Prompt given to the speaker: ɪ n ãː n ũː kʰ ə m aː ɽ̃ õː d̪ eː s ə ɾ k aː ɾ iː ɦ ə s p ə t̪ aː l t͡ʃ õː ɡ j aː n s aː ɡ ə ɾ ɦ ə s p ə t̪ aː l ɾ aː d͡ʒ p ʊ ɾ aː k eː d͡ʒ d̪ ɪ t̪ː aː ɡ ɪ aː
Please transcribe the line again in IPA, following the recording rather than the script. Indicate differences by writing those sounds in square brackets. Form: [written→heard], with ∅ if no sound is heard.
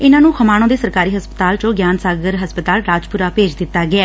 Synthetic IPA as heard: ɪ n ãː n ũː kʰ ə m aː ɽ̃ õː d̪ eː s ə ɾ k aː ɾ iː ɦ ə s p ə t̪ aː l t͡ʃ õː ɡ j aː n s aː ɡ ə ɾ ɦ ə s p ə t̪ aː l ɾ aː d͡ʒ p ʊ ɾ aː [k→p] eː d͡ʒ d̪ ɪ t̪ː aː ɡ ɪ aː